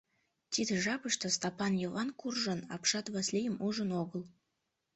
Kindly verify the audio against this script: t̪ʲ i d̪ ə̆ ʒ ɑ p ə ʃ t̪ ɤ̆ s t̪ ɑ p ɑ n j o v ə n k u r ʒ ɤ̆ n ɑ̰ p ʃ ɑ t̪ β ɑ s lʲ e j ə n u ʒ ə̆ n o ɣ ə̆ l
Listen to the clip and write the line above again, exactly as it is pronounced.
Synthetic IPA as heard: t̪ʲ i d̪ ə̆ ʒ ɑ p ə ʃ t̪ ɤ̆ s t̪ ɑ p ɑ n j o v ɑ n k u r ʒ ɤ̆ n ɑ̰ p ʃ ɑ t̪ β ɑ s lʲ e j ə m u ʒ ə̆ n o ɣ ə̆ l